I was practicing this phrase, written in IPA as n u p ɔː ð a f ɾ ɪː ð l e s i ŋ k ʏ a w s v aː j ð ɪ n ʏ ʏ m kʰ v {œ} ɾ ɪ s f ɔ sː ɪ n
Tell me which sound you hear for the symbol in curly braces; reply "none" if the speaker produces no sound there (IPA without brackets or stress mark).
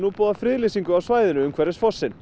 ɛ